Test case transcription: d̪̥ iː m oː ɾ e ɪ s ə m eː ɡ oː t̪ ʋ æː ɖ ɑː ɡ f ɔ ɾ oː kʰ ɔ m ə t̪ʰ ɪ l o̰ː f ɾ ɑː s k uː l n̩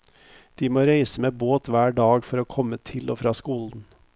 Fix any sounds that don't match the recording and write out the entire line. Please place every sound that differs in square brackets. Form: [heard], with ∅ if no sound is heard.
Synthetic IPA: d̪̥ iː m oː ɾ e ɪ s ə m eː [b] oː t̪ ʋ æː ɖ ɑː ɡ f ɔ ɾ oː kʰ ɔ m ə t̪ʰ ɪ l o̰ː f ɾ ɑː s k uː l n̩

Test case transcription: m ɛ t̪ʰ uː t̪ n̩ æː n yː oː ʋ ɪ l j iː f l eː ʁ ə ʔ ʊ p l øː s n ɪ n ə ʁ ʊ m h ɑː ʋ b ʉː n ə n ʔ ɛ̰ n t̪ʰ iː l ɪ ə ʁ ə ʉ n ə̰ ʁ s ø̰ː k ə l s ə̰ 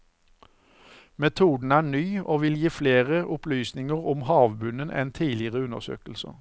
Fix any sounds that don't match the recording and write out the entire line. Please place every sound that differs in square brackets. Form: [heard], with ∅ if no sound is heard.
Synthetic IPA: m ɛ t̪ʰ uː [d̪] n̩ æː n yː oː ʋ ɪ l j iː f l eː ʁ ə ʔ ʊ p l [yː] s n ɪ [ŋ] ə ʁ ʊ m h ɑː ʋ b [ʉ] n ə n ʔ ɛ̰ n t̪ʰ iː l ɪ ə ʁ ə ʉ n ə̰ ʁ s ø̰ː k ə l s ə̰

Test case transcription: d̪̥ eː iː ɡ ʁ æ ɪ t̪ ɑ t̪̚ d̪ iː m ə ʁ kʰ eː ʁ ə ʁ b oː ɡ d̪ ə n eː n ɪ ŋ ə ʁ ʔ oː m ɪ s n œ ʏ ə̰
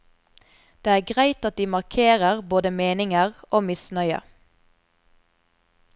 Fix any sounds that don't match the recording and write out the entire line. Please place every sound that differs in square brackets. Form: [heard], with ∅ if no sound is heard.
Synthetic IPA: d̪̥ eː [æː] ɡ ʁ æ ɪ t̪ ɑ t̪̚ d̪ iː m [ɑ] ʁ kʰ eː ʁ ə ʁ b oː [∅] d̪ ə [m] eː n ɪ ŋ ə ʁ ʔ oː m ɪ s n œ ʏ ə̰

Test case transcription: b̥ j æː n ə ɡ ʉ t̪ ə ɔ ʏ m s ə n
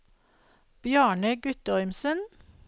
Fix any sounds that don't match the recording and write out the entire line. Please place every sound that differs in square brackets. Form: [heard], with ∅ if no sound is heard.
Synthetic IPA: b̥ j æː [ɳ] ə ɡ ʉ t̪ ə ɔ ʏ m s ə n

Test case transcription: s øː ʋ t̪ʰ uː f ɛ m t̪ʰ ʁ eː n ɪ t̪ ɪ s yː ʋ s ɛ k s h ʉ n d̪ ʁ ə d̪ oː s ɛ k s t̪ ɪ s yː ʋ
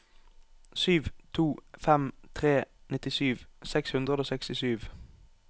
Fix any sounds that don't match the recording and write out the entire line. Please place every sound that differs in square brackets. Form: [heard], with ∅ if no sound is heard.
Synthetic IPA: s [yː] ʋ t̪ʰ uː f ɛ m t̪ʰ ʁ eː n ɪ t̪ ɪ s yː ʋ s ɛ k s h ʉ n d̪ ʁ ə d̪ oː s ɛ k s t̪ ɪ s yː ʋ

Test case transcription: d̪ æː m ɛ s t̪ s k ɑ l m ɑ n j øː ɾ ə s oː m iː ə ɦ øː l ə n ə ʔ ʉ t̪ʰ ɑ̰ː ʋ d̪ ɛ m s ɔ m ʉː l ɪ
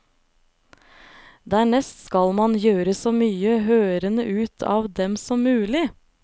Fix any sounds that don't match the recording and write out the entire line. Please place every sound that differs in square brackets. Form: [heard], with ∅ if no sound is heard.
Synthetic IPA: d̪ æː [ɳ] ɛ s t̪ s k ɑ l m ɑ n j øː ɾ ə s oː m [yː] ə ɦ øː [ɾ] ə n ə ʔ [ʉː] t̪ʰ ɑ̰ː ʋ d̪ ɛ m s ɔ m ʉː l ɪ

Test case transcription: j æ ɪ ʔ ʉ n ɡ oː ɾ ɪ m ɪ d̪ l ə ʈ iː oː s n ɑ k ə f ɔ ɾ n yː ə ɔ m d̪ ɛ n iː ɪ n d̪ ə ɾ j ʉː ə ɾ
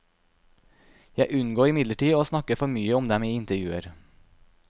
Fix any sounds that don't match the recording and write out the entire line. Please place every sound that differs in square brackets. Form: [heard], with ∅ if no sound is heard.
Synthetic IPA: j æ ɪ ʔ ʉ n ɡ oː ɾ ɪ m ɪ d̪ l ə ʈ iː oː s n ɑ k ə f ɔ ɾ [m] yː ə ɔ m d̪ ɛ [m] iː ɪ n [t̪] ə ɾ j ʉː ə ɾ

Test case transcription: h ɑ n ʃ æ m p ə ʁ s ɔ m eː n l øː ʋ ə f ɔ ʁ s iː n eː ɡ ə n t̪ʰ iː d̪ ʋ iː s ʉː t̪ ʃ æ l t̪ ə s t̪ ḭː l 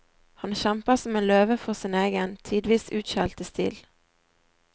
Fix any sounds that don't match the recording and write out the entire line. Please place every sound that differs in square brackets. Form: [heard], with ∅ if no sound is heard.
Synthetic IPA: h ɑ n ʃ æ m p ə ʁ s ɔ m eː n l øː ʋ ə f ɔ ʁ s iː n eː ɡ ə n t̪ʰ iː d̪ ʋ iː s ʉː t̪ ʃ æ l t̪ ə s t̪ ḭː l

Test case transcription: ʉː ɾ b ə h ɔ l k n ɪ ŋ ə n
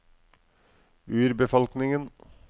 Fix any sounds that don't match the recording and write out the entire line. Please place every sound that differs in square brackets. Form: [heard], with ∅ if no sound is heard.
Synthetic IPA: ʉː ɾ b ə [f] ɔ l k n ɪ ŋ ə n

